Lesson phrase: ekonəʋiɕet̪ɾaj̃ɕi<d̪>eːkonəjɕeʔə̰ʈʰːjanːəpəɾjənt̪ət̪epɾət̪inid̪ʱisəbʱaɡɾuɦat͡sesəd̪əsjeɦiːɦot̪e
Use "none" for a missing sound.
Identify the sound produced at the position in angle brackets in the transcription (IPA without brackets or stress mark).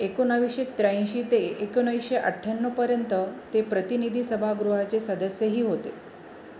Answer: t̪